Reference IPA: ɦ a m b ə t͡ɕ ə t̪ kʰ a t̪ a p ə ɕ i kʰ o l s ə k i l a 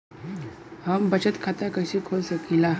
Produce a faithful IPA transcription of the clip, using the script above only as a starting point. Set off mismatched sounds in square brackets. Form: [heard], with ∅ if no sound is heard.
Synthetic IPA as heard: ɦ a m b ə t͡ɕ ə t̪ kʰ a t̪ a [k] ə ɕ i kʰ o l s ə k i l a